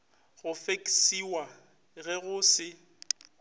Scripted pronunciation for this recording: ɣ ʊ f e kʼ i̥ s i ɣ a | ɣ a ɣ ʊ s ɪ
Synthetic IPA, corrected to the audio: ɣ ʊ f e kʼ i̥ s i w a | ɣ ɛ ɣ ʊ s ɪ